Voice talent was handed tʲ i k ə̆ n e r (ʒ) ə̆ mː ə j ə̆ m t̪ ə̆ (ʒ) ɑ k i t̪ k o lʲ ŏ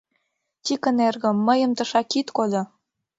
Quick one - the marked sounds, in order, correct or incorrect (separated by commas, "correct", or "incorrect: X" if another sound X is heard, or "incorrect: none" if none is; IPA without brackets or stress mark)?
incorrect: ɣ, incorrect: ʃ